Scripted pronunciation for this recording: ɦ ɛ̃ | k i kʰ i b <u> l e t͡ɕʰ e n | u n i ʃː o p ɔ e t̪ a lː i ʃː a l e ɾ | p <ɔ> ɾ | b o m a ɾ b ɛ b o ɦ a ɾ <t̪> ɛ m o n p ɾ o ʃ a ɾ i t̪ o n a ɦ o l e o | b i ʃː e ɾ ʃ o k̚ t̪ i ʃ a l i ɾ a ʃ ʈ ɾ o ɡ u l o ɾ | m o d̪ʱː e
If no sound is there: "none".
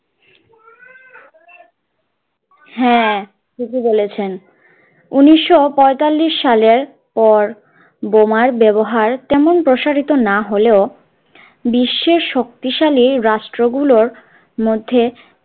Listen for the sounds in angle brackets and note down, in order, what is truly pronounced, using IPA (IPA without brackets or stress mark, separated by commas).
o, ɔ, t̪